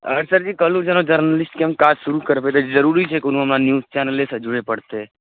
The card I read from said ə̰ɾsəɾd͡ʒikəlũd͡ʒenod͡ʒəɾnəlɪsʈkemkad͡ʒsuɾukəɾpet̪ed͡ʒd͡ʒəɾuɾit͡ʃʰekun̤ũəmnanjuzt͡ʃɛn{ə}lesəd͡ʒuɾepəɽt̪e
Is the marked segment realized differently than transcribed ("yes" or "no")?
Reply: no